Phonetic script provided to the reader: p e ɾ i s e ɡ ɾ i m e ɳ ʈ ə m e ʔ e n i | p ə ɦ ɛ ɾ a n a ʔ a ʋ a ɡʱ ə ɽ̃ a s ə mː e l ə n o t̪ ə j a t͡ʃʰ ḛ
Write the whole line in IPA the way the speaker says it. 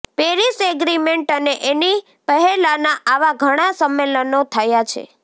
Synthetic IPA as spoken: p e ɾ i s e ɡ ɾ i m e ɳ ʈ ə n e ʔ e n i | p ə ɦ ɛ l a n a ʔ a ʋ a ɡʱ ə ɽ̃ a s ə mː e l ə n o t̪ʰ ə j a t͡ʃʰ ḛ